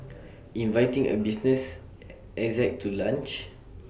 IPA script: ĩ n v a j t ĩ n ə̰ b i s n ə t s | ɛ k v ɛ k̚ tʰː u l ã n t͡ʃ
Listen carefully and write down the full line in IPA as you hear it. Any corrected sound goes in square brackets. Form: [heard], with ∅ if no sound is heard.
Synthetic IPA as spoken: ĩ n v a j t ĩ [ŋ] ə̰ b i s n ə [∅] s | ɛ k [z] ɛ k̚ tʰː u l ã n t͡ʃ